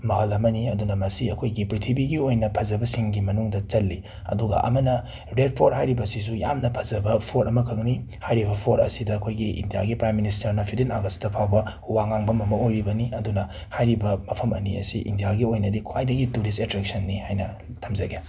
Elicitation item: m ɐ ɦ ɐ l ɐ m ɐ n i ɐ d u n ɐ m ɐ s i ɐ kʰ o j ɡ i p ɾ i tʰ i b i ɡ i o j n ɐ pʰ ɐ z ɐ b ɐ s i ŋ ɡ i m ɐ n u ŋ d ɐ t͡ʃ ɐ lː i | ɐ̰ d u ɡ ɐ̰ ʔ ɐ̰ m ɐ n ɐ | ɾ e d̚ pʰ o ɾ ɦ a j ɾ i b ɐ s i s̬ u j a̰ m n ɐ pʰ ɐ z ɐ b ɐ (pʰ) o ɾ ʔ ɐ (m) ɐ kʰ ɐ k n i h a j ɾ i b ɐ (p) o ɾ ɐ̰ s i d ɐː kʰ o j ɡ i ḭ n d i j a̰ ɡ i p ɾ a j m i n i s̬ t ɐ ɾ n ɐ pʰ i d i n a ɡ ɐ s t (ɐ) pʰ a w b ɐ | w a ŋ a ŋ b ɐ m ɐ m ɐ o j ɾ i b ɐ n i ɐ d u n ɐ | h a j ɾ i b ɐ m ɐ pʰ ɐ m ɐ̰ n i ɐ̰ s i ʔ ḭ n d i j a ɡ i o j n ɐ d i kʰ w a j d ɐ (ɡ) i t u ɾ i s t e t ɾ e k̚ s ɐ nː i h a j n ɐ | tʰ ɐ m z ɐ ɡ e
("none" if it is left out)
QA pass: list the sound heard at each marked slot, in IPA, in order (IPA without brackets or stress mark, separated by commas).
pʰ, m, pʰ, ɐ, ɡ